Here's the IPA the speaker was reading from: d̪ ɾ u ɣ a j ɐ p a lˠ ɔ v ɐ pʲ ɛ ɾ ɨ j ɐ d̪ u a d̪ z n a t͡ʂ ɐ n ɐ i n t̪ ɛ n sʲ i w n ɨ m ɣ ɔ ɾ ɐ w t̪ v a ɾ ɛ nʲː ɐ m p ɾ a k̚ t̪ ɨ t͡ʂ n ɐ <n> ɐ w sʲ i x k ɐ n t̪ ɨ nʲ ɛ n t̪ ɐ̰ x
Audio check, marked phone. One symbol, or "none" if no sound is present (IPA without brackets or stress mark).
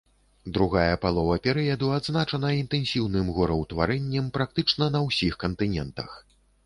n